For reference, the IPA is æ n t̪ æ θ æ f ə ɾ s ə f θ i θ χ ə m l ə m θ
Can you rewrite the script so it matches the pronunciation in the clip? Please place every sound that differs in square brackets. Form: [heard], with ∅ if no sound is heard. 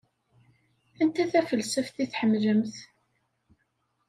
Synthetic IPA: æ n t̪ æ θ æ f ə [l] s ə f θ i θ [ħ] ə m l ə m θ